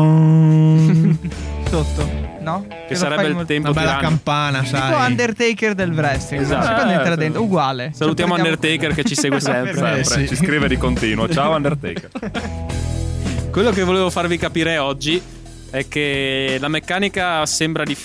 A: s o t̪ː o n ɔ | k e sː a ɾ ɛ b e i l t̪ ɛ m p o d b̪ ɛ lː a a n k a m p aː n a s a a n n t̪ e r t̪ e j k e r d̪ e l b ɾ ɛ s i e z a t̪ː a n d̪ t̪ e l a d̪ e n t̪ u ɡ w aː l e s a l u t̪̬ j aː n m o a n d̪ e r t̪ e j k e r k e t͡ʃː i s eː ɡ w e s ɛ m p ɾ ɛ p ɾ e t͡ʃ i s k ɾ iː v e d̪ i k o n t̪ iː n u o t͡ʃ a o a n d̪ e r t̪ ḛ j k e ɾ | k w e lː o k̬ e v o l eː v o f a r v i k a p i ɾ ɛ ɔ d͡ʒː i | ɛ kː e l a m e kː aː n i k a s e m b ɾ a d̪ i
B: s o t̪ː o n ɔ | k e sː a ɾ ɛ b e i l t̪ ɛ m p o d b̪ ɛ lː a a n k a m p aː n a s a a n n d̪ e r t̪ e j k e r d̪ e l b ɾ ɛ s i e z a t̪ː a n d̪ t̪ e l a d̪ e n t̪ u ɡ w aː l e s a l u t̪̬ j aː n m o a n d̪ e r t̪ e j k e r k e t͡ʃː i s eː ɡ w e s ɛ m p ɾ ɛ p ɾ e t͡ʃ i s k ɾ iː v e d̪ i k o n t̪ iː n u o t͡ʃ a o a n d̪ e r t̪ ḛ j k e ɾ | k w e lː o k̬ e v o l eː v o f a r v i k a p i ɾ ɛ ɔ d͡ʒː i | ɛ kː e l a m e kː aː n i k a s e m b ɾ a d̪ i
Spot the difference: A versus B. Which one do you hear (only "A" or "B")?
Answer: B